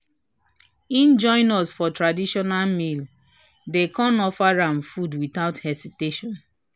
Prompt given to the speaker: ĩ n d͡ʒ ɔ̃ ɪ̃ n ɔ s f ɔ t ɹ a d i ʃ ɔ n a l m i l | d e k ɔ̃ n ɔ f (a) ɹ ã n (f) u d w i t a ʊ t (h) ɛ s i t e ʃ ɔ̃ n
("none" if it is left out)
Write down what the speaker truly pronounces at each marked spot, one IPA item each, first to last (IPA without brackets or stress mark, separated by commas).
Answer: a, f, h